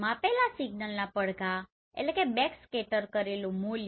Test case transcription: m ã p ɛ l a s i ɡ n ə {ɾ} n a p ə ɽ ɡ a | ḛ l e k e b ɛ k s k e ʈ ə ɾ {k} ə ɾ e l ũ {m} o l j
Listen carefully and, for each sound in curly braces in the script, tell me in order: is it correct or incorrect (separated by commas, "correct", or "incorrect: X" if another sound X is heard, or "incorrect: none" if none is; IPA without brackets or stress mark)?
incorrect: l, correct, correct